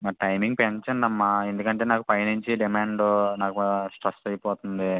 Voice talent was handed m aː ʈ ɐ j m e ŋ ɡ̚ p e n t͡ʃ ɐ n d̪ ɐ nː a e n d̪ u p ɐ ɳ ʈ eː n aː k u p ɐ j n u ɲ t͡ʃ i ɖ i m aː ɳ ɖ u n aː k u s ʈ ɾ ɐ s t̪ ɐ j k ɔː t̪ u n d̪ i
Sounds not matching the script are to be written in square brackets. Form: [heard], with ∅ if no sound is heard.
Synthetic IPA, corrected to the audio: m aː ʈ ɐ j m [i] ŋ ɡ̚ p e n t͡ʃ ɐ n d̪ ɐ [mː] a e n d̪ u [k] ɐ ɳ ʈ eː n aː k u p ɐ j n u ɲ t͡ʃ i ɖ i m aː ɳ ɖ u n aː k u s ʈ ɾ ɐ s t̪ ɐ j [p] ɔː t̪ u n d̪ i

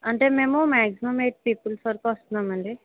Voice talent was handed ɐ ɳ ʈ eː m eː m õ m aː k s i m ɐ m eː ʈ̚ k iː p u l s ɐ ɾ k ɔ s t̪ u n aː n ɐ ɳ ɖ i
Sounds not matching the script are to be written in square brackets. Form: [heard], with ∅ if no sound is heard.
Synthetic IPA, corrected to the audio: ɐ ɳ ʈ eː m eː m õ m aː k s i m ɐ m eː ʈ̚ [p] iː p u l s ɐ ɾ k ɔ s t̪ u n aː [m] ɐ ɳ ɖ i

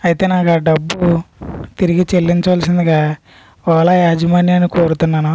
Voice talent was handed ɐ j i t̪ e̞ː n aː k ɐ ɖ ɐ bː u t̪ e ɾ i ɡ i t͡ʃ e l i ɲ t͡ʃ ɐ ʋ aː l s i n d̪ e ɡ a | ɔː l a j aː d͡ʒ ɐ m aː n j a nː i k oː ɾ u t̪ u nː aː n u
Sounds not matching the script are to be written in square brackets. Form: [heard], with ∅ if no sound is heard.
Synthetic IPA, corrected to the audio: ɐ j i t̪ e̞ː n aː k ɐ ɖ ɐ bː u t̪ [i] ɾ i ɡ i t͡ʃ e [lː] i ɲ t͡ʃ ɐ ʋ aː l s i n d̪ [i] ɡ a | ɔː l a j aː d͡ʒ ɐ m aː n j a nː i k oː ɾ u t̪ u nː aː n u

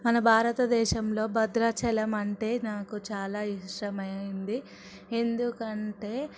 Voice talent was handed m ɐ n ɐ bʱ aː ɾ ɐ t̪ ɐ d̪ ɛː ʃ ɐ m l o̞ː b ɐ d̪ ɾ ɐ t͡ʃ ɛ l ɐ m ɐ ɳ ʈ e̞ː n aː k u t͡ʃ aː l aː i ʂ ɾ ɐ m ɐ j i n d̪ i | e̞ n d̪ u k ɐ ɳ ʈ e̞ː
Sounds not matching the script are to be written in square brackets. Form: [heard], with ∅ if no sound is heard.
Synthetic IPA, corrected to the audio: m ɐ n ɐ bʱ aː ɾ ɐ t̪ ɐ d̪ ɛː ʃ ɐ m l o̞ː b ɐ d̪ ɾ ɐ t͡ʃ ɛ l ɐ m ɐ ɳ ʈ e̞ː n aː k u t͡ʃ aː l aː i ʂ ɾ ɐ m ɐ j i n d̪ i | e̞ n d̪ u k ɐ ɳ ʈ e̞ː

